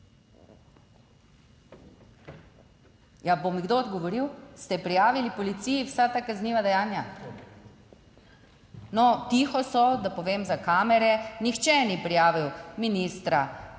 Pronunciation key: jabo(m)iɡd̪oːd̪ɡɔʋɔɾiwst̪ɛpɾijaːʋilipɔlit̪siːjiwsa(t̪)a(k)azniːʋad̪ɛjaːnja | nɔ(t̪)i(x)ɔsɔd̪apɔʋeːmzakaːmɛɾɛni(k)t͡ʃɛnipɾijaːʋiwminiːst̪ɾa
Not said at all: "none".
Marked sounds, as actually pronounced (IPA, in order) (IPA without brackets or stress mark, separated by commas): m, t̪, k, t̪, x, x